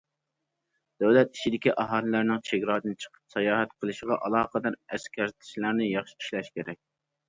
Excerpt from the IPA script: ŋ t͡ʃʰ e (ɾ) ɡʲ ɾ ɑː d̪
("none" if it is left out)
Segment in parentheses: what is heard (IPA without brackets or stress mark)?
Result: none